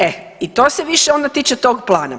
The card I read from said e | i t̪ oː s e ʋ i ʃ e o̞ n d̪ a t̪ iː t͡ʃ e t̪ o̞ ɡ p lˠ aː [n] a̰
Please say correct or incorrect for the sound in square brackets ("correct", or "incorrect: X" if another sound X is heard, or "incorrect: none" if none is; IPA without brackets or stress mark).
correct